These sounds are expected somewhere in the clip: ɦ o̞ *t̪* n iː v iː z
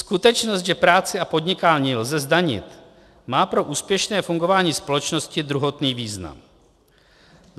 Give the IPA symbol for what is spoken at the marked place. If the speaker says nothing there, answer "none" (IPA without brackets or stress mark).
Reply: t̪